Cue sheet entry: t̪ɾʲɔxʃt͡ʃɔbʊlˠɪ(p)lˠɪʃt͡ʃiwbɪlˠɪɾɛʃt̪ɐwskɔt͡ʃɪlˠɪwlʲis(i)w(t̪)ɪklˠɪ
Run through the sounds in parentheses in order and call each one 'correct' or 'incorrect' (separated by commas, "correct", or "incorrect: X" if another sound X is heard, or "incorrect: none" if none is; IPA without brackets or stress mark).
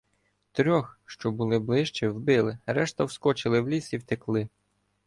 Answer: incorrect: b, correct, correct